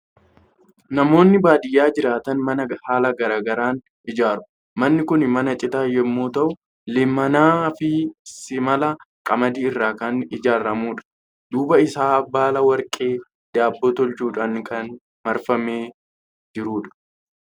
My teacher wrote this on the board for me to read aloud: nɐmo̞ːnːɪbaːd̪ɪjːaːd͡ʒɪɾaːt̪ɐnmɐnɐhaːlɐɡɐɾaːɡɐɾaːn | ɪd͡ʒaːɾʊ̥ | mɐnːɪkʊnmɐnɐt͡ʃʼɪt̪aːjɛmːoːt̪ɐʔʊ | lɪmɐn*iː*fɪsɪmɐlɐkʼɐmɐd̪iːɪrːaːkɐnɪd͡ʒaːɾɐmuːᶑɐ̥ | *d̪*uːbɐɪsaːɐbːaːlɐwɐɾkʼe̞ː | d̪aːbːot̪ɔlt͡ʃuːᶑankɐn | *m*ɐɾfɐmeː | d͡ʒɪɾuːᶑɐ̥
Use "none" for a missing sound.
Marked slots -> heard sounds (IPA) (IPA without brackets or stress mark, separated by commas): aː, d̪, m